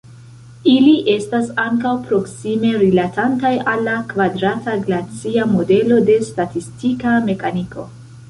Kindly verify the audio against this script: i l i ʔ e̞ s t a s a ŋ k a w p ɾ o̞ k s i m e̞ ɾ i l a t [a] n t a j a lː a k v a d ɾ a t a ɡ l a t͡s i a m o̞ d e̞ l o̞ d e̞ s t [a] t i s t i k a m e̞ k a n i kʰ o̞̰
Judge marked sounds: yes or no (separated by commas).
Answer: yes, yes